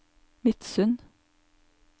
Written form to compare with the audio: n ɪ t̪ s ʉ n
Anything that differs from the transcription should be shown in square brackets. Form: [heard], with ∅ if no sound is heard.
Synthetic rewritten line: [m] ɪ t̪ s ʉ n

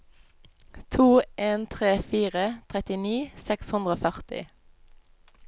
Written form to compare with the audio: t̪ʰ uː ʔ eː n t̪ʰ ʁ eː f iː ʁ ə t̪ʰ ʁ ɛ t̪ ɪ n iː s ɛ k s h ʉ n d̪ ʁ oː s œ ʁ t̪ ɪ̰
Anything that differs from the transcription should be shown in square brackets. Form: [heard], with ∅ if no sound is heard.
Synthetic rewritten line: t̪ʰ uː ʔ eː n t̪ʰ ʁ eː f iː ʁ ə t̪ʰ ʁ ɛ t̪ ɪ n iː s ɛ k s h ʉ n d̪ ʁ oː [f] œ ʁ t̪ ɪ̰

